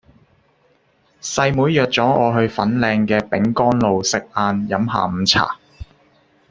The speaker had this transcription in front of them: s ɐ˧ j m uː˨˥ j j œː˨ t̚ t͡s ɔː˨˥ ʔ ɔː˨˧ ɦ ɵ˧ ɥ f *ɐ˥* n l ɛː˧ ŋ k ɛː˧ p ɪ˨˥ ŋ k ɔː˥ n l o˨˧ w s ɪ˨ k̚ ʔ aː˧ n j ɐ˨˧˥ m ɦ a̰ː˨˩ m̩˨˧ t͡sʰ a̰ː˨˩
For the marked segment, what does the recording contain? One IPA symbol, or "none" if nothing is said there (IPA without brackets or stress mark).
ɐ˨˥